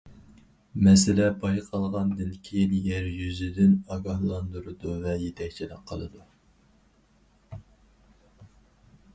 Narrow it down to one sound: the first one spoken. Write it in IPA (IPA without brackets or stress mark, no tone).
m